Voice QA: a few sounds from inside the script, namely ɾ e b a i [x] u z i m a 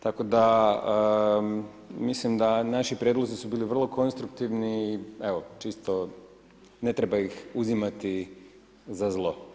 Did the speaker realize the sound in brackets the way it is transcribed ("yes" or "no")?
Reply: yes